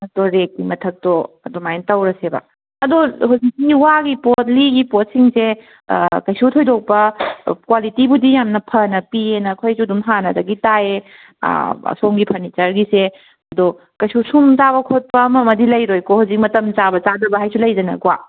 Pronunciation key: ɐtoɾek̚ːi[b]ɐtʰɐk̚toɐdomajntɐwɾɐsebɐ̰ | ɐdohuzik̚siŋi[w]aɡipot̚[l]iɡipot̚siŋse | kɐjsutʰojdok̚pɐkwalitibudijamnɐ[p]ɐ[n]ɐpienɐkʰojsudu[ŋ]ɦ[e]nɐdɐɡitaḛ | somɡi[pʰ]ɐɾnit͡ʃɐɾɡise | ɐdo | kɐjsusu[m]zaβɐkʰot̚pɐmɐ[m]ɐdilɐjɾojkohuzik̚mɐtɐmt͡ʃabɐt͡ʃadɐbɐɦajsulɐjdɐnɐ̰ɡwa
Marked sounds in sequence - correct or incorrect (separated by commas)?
incorrect, correct, correct, incorrect, correct, incorrect, incorrect, correct, correct, correct